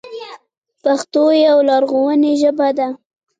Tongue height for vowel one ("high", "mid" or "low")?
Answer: low